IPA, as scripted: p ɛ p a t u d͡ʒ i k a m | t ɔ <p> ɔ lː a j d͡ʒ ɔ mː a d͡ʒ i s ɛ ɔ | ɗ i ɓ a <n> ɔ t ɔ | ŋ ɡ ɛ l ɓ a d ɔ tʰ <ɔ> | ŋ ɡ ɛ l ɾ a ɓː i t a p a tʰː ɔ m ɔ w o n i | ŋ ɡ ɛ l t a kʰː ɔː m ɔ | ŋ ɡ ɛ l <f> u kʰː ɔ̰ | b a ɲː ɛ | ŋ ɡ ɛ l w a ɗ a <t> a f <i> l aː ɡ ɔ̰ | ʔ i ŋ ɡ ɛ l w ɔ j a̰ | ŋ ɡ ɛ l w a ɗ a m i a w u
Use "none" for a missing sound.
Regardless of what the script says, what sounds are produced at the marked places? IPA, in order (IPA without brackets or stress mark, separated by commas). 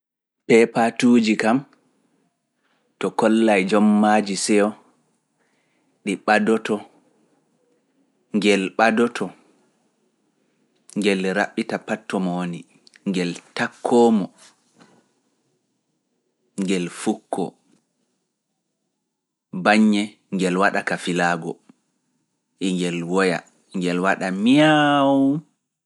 k, d, ɔ, f, k, i